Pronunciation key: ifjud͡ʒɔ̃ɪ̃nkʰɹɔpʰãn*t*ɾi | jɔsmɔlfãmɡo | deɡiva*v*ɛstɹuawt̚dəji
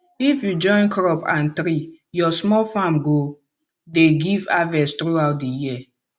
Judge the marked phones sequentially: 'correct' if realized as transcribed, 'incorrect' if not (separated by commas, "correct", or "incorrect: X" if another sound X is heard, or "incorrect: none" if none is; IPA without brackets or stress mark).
correct, correct